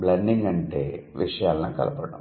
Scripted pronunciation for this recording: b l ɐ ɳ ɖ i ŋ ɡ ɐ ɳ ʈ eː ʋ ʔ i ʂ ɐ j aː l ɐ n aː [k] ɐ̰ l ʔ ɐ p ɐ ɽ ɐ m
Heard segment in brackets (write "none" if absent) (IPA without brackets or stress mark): k